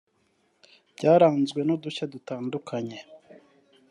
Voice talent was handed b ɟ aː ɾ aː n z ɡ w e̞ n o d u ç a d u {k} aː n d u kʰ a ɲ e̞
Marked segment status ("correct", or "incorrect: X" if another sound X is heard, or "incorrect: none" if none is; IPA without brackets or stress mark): incorrect: t